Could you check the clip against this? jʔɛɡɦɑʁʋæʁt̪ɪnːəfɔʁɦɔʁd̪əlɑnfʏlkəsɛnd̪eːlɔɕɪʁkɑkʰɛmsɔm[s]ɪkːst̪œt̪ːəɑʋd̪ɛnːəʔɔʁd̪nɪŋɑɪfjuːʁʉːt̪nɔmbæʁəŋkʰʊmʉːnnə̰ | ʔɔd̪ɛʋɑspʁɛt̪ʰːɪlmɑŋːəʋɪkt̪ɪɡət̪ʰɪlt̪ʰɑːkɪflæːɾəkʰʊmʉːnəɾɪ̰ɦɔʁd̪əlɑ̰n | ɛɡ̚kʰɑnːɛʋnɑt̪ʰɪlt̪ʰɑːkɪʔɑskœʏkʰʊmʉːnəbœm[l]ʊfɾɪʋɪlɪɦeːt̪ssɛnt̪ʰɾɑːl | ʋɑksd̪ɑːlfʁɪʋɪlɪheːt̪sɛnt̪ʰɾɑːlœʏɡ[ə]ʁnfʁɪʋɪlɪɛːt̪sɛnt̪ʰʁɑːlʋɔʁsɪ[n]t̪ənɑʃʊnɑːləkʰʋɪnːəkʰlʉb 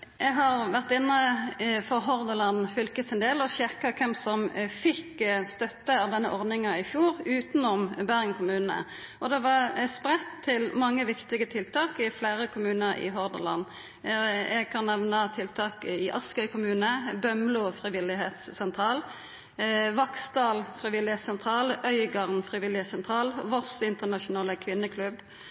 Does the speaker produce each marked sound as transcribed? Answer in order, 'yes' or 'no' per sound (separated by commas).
no, yes, no, yes